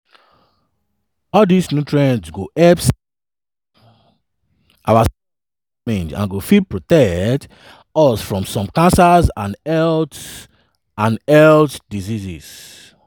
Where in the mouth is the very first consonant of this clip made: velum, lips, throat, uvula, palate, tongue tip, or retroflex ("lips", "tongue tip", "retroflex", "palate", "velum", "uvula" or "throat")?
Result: tongue tip